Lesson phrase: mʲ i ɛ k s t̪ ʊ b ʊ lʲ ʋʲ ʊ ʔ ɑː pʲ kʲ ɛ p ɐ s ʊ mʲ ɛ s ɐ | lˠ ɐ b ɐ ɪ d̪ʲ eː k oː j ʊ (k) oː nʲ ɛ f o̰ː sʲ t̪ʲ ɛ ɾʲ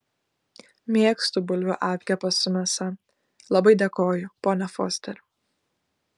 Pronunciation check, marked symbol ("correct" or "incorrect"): incorrect